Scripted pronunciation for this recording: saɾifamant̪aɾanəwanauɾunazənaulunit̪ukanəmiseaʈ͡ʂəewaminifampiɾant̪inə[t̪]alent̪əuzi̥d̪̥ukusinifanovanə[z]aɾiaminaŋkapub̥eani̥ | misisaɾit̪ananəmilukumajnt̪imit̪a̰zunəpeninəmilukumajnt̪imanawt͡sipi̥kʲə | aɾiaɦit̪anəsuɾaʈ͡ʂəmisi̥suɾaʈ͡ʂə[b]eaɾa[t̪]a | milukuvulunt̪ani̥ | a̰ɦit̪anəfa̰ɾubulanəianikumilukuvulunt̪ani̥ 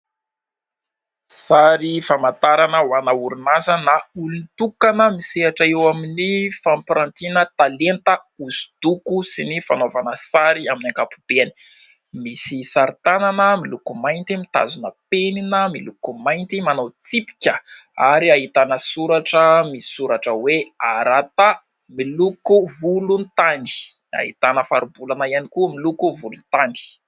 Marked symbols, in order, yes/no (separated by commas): yes, no, no, yes